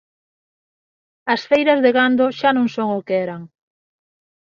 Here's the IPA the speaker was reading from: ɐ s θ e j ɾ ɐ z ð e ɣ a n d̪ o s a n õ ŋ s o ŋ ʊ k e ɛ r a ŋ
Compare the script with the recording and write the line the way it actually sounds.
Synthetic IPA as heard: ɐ s f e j ɾ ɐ z ð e ɣ a n d̪ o ʃ a n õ ŋ s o ŋ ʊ k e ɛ ɾ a ŋ